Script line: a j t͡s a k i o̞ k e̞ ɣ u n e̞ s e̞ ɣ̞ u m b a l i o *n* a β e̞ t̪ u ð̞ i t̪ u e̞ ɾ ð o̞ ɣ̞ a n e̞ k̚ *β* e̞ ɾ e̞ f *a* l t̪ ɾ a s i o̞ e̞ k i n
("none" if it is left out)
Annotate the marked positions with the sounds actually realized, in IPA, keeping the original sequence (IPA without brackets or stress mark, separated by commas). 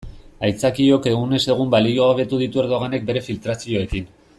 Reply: none, b, i